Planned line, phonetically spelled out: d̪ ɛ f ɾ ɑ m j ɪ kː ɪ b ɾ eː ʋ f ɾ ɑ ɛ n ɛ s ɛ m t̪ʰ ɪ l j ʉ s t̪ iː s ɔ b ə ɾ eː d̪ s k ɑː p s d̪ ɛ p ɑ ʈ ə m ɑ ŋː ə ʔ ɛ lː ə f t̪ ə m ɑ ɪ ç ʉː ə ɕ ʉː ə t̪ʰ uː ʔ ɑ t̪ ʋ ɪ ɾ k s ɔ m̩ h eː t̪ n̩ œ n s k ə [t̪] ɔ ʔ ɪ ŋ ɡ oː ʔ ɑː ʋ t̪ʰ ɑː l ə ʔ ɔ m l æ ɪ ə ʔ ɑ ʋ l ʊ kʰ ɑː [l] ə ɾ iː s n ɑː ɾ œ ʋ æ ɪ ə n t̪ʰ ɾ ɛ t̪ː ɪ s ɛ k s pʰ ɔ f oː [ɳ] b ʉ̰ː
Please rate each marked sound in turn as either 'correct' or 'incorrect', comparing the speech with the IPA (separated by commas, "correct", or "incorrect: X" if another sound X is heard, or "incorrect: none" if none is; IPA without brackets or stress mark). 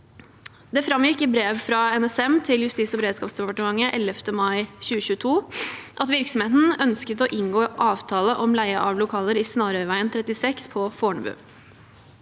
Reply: correct, correct, correct